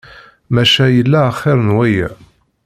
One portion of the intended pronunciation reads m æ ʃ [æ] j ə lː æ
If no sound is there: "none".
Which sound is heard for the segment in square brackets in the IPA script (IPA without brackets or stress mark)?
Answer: æ